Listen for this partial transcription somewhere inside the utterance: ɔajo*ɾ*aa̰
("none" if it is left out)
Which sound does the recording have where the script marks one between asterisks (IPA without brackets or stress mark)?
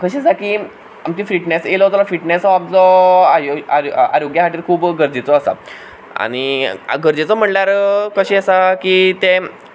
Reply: none